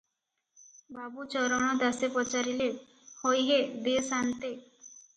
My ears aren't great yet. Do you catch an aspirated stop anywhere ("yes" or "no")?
no